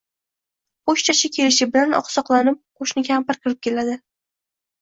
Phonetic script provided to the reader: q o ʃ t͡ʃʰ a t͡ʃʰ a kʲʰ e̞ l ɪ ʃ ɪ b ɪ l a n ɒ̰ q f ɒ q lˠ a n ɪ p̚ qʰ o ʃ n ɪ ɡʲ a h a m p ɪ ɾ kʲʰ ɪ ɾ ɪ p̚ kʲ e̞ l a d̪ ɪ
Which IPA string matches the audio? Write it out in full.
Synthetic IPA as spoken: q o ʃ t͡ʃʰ a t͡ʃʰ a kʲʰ e̞ l ɪ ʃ ɪ b ɪ l a n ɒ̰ q s ɒ q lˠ a n ɪ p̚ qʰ o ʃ n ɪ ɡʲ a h a m p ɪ ɾ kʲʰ ɪ ɾ ɪ p̚ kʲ e̞ l a d̪ ɪ